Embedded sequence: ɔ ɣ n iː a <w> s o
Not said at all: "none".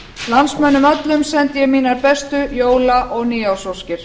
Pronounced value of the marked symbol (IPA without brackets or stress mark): w